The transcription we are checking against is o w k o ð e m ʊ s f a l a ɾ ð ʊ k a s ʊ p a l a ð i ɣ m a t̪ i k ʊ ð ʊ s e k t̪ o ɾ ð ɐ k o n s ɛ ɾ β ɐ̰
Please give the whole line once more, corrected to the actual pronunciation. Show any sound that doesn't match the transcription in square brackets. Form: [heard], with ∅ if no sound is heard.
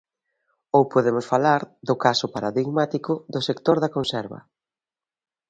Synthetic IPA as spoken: o w [p] o ð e m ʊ s f a l a ɾ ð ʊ k a s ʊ p a [ɾ] a ð i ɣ m a t̪ i k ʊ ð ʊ s e k t̪ o ɾ ð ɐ k o n s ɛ ɾ β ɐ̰